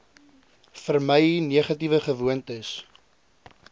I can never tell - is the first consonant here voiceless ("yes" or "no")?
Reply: yes